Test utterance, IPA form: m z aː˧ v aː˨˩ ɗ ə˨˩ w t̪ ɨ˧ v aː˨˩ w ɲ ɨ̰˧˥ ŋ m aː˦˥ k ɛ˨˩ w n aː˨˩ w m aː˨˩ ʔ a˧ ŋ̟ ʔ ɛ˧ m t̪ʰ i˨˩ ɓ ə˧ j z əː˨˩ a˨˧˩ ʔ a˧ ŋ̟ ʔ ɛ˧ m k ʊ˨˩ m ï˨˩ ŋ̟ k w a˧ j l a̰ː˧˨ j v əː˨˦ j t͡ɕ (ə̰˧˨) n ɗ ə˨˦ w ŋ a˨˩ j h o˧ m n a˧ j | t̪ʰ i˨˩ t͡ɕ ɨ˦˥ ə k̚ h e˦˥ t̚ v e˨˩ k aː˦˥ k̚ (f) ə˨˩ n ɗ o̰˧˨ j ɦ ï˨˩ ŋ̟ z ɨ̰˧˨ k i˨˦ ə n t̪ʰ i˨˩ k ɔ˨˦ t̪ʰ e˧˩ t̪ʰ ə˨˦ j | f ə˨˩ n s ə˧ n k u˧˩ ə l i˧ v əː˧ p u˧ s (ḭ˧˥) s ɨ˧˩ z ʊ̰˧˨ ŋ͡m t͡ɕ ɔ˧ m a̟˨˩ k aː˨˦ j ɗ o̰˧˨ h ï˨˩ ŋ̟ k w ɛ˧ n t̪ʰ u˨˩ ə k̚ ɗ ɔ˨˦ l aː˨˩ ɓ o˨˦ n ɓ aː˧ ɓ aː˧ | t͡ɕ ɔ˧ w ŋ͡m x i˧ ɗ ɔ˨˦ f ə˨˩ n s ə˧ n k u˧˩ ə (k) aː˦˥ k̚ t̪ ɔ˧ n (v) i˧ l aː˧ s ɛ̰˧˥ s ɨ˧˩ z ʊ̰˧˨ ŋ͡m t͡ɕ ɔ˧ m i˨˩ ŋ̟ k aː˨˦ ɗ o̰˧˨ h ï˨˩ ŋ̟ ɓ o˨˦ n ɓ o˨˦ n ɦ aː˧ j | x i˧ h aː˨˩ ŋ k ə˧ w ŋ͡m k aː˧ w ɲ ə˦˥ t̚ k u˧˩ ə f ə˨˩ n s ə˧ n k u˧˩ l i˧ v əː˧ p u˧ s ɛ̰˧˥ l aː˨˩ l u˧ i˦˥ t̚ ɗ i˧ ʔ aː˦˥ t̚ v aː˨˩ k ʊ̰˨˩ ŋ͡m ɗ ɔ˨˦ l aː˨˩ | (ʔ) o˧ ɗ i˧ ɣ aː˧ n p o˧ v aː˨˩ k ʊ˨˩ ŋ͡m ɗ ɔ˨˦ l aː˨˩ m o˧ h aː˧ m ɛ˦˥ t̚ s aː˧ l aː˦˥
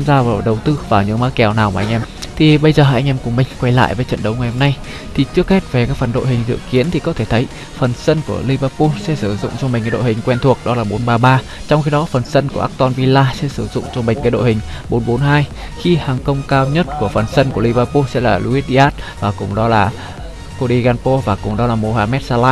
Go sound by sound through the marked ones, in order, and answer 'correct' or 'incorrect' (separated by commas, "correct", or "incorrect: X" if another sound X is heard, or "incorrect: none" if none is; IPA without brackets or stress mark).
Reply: correct, correct, incorrect: ɛ̰˧˥, incorrect: ʔ, correct, incorrect: k